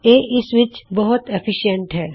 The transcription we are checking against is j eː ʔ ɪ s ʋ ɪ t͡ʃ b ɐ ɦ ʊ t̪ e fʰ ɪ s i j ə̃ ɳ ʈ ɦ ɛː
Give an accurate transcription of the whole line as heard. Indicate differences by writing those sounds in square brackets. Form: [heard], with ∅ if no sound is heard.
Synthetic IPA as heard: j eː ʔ ɪ s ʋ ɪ t͡ʃ b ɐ ɦ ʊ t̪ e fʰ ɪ [ʃ] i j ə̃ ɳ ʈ ɦ ɛː